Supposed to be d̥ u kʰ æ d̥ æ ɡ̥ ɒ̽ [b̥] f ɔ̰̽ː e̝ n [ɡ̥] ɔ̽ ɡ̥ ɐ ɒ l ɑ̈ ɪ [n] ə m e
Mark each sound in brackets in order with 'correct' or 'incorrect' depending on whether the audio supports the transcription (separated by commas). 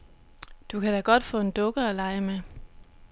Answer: incorrect, incorrect, incorrect